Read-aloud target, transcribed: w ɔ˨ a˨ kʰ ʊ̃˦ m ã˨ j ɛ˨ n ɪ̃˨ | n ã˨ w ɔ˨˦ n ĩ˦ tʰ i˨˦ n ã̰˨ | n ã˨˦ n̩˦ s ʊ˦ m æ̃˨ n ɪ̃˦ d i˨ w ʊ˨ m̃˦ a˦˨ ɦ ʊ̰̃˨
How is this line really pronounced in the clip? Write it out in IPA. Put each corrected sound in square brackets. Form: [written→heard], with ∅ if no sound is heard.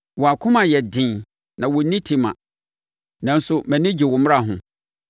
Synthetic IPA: w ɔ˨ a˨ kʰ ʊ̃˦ m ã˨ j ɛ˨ [n→d] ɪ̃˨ | n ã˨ w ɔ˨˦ n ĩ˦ tʰ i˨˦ [n→m] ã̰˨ | n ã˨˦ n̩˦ s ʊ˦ m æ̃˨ n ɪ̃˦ [d→d͡ʑ] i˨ w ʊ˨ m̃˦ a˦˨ ɦ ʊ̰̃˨